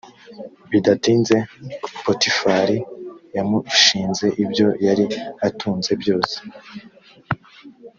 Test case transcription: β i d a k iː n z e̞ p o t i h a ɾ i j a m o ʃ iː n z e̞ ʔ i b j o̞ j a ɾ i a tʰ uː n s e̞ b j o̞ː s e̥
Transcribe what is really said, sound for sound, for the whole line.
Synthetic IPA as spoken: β i d a t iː n z e̞ p o t i f a ɾ i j a m u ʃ iː n z e̞ ʔ i b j o̞ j a ɾ i a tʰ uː n z e̞ b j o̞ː s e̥